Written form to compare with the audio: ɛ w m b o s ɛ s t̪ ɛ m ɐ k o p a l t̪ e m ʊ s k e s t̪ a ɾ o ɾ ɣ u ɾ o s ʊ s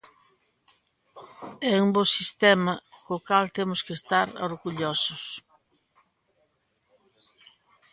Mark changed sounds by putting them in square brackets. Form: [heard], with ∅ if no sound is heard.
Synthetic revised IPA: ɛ [u] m b o s [i] s t̪ ɛ m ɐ k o [k] a l t̪ e m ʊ s k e s t̪ a ɾ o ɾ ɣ u [ʎ] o s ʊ s